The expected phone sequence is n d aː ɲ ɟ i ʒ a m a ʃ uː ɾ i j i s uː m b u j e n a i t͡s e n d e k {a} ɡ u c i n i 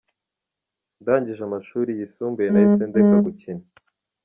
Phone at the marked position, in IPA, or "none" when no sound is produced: a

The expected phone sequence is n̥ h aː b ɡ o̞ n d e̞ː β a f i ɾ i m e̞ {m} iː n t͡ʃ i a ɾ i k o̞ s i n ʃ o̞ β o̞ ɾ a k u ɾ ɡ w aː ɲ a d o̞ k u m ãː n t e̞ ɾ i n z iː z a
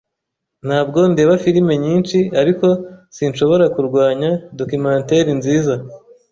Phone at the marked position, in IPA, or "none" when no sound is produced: ɲ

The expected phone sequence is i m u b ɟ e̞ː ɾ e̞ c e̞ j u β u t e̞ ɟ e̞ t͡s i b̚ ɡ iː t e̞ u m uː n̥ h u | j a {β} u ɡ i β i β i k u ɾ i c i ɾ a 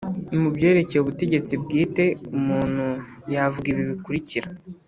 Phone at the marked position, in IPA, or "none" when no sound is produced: v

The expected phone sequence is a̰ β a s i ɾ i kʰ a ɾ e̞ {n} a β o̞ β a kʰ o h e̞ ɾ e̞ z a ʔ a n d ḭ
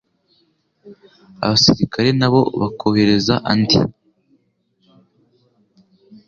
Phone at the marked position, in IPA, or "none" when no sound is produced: n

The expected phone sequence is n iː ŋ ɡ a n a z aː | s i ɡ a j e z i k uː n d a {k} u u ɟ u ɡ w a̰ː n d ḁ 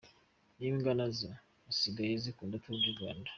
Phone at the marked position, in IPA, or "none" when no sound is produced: t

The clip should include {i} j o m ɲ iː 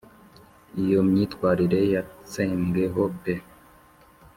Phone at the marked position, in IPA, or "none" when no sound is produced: i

